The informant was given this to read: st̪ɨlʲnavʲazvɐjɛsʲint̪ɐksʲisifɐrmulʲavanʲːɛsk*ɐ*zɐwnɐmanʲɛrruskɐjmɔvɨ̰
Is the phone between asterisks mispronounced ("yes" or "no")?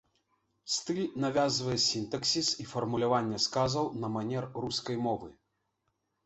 yes